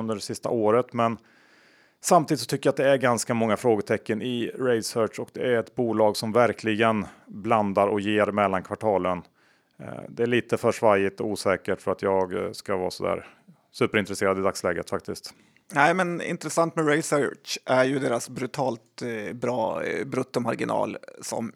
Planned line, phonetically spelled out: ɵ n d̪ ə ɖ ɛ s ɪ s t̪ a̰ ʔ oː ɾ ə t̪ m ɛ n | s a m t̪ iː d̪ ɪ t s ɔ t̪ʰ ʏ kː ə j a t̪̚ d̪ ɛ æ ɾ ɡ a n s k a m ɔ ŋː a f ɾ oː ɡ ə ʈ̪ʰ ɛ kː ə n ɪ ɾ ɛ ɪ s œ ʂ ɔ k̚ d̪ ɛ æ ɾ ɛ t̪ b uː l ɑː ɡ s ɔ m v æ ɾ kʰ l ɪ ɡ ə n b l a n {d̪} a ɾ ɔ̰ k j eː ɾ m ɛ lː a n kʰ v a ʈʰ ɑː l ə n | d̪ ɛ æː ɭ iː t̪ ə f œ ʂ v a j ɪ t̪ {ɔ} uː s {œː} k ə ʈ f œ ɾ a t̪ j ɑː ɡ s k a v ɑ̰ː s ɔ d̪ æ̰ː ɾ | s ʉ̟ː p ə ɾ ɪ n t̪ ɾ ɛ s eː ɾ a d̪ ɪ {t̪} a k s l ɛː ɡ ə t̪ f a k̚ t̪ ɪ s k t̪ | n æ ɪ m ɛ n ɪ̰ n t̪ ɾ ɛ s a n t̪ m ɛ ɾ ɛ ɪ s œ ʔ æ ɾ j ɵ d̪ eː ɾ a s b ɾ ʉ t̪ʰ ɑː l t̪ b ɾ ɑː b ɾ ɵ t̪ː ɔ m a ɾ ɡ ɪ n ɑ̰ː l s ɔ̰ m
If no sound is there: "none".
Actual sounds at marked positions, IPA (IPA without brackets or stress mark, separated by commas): d̪, ɔ, ɛː, d̪